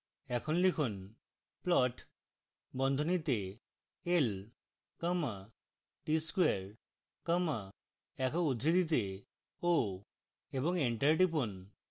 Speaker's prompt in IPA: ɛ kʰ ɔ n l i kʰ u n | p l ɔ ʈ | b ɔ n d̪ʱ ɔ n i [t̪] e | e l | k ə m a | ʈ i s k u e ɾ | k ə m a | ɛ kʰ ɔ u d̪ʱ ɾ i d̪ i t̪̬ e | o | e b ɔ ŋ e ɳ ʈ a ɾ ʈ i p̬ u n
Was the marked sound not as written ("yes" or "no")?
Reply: no